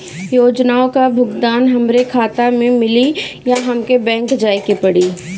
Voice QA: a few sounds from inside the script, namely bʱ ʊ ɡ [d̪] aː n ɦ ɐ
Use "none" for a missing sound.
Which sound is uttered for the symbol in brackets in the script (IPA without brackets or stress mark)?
d̪